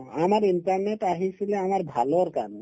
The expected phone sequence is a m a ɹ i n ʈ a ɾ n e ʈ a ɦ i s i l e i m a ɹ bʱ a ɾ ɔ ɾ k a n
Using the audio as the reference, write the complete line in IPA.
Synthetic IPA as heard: a m a ɾ i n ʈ a ɾ n e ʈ a ɦ i s i l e a m a ɾ bʱ a l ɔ ɾ k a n